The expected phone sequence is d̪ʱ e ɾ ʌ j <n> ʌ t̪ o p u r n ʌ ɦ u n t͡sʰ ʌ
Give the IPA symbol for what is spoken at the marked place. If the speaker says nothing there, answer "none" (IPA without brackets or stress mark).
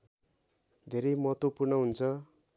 m